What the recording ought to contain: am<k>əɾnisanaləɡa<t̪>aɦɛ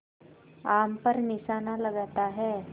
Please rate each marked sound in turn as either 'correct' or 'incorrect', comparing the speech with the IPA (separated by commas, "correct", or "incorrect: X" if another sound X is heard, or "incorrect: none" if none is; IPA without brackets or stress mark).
incorrect: p, correct